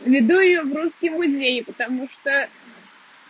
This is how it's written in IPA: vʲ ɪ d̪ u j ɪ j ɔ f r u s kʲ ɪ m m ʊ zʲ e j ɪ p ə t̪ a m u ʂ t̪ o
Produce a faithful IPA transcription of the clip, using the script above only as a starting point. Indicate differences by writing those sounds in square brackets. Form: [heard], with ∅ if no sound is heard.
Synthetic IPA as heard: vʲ ɪ d̪ u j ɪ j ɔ [v] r u s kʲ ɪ m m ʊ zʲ e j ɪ p ə t̪ a m u ʂ t̪ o

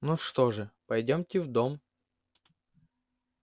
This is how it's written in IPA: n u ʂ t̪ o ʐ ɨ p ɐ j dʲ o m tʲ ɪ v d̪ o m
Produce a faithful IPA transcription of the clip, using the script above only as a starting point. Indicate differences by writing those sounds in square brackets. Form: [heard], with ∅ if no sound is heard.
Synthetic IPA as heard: n u ʂ t̪ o ʐ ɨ p ɐ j dʲ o m tʲ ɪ v d̪ o m

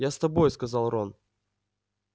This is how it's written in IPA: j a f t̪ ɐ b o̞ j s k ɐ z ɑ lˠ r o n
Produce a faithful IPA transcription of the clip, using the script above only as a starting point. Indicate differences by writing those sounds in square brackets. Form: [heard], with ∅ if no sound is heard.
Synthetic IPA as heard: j a [s] t̪ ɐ b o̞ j s k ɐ z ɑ lˠ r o n

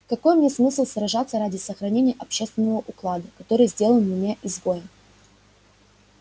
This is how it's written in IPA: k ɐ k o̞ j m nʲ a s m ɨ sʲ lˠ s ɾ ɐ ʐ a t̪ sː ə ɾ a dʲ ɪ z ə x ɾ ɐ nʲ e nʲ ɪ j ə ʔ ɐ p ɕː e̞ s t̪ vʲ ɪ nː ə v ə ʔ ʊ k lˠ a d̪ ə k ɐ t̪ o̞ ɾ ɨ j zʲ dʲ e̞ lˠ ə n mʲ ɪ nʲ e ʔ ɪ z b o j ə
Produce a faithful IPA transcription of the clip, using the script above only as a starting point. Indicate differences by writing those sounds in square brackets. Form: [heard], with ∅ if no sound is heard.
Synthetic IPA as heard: k ɐ k o̞ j m nʲ [e] s m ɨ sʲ lˠ s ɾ ɐ ʐ a t̪ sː ə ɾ a dʲ ɪ [s] ə x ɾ ɐ nʲ e nʲ ɪ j ə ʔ ɐ p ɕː e̞ s t̪ vʲ ɪ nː ə v ə ʔ ʊ k lˠ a d̪ ə k ɐ t̪ o̞ ɾ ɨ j zʲ dʲ e̞ lˠ ə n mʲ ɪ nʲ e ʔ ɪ z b o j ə

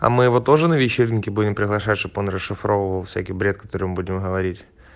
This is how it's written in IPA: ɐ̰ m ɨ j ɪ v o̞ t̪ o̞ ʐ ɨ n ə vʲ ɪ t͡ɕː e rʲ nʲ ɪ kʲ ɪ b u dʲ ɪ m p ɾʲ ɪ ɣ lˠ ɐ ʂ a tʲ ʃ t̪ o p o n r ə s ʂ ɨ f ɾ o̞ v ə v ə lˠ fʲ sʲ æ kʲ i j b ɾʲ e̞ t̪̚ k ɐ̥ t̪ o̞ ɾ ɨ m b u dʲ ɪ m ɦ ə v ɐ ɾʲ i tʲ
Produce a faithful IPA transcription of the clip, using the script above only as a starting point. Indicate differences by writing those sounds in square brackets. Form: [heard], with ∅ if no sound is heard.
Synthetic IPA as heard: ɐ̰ m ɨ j ɪ v o̞ t̪ o̞ ʐ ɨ n ə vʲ ɪ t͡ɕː e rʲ nʲ ɪ kʲ ɪ b u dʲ ɪ m p ɾʲ ɪ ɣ lˠ ɐ ʂ a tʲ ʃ t̪ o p o n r ə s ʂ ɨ f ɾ o̞ v ə v ə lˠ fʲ sʲ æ kʲ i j b ɾʲ e̞ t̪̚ k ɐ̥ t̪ o̞ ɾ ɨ m b u dʲ ɪ m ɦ ə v ɐ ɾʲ i tʲ

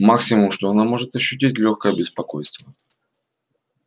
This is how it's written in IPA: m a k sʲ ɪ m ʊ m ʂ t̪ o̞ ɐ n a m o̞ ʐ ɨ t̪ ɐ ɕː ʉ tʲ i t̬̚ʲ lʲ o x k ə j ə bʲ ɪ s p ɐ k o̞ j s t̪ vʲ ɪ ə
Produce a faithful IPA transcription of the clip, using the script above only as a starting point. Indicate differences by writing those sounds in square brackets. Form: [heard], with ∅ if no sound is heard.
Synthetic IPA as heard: m a k sʲ ɪ m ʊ m ʂ t̪ o̞ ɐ n a m o̞ ʐ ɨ t̪ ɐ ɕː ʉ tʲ i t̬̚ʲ lʲ o x k ə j ə bʲ ɪ s p ɐ k o̞ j s t̪ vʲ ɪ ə

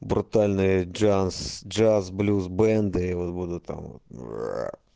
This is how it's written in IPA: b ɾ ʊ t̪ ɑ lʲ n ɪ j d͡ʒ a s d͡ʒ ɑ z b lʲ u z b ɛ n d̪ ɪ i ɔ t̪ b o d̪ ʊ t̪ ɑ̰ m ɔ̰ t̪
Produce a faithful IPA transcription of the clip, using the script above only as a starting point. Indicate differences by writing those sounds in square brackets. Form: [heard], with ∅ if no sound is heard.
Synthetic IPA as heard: b ɾ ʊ t̪ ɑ lʲ n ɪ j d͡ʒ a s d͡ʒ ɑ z b lʲ u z b ɛ n d̪ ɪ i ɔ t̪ b [u] d̪ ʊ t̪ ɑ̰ m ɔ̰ t̪

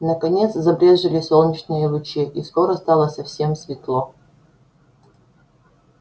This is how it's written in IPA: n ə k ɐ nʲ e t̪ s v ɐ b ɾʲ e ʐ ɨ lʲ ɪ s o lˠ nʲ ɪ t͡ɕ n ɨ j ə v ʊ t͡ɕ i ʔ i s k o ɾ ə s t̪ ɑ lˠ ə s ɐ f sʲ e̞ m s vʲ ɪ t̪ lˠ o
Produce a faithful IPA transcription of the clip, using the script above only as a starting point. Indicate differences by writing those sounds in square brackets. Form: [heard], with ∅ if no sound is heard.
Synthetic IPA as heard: n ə k ɐ nʲ e t̪ s [z] ɐ b ɾʲ e ʐ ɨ lʲ ɪ s o lˠ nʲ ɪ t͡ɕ n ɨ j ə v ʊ t͡ɕ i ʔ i s k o ɾ ə s t̪ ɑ lˠ ə s ɐ f sʲ e̞ m s vʲ ɪ t̪ lˠ o

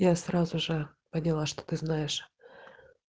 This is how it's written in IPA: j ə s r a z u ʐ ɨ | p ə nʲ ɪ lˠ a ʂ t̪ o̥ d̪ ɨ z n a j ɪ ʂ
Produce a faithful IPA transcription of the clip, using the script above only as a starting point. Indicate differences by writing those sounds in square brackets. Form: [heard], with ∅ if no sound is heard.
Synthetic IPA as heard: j [a] s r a z [ʊ] ʐ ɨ | p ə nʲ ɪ lˠ a ʂ t̪ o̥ [t̪] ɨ z n a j ɪ ʂ

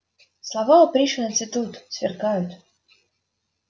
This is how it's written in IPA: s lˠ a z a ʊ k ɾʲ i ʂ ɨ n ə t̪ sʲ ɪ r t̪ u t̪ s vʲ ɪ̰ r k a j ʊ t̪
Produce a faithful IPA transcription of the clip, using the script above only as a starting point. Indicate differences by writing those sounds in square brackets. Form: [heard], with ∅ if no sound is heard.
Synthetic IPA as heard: s lˠ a [v] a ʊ [p] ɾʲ i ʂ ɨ n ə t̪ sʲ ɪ [∅] t̪ u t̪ s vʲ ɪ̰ r k a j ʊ t̪

